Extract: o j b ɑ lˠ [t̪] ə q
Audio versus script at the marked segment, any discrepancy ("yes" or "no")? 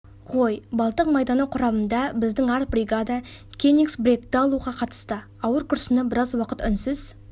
no